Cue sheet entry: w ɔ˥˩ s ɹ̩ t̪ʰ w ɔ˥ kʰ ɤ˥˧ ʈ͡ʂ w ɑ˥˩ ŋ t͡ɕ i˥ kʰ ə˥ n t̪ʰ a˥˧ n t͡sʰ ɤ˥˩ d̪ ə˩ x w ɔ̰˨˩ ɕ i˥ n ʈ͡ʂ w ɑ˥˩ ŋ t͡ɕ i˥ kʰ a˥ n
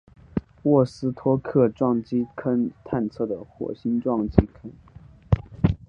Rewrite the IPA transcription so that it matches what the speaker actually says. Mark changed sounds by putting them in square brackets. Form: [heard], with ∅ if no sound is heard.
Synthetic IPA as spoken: w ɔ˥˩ s ɹ̩ t̪ʰ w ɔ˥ kʰ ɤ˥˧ ʈ͡ʂ w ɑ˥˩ ŋ t͡ɕ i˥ kʰ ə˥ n t̪ʰ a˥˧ n t͡sʰ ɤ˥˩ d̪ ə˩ x w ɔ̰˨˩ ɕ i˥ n ʈ͡ʂ w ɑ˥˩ ŋ t͡ɕ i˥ kʰ [ə˥] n